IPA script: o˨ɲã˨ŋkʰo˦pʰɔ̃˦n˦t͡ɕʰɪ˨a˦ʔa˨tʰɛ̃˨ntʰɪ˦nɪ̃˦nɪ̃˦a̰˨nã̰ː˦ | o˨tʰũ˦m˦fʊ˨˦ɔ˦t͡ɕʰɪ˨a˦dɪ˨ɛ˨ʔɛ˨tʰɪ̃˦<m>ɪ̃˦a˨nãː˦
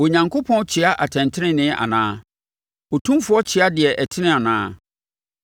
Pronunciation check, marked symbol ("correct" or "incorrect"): incorrect